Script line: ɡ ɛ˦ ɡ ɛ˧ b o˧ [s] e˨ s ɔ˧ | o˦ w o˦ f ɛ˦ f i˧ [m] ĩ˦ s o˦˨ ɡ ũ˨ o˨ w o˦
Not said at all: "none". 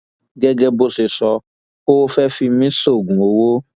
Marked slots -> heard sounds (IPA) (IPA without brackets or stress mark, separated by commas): s, m